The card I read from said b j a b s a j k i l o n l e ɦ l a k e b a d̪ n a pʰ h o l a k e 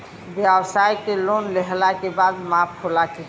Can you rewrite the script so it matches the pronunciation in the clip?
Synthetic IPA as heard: b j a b s a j k e l o n l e ɦ l a k e b a d̪ m a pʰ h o l a k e